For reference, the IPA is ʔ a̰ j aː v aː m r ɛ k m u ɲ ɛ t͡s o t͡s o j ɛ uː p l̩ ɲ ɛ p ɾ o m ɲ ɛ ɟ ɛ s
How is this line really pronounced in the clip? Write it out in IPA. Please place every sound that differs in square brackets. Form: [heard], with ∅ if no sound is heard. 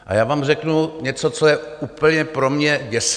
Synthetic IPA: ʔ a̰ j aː v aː m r ɛ k [n] u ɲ ɛ t͡s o t͡s o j ɛ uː p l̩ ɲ ɛ p ɾ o m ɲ ɛ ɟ ɛ s